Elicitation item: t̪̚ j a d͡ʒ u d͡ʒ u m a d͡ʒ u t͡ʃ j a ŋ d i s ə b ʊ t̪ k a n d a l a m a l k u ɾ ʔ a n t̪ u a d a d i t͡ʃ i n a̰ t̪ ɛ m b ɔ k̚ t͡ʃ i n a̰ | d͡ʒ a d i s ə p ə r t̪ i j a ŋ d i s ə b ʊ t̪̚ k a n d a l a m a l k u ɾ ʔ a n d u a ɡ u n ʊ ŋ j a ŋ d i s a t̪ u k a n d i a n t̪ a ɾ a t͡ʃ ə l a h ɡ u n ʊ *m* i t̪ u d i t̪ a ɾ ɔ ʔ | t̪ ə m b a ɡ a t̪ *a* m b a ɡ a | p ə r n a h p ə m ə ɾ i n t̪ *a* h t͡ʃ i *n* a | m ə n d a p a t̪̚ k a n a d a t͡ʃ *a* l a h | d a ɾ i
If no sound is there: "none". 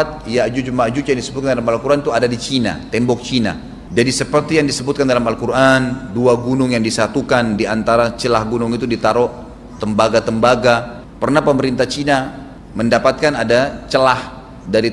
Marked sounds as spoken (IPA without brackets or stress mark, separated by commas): ŋ, ə, a, n, ə